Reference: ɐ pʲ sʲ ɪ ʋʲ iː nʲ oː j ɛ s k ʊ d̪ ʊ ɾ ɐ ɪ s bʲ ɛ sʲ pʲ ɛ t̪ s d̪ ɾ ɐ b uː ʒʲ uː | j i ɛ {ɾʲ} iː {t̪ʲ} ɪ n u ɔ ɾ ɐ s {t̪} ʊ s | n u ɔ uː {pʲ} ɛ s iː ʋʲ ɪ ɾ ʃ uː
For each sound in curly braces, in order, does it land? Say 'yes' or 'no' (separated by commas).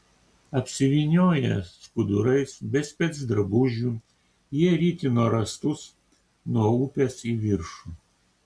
yes, yes, yes, yes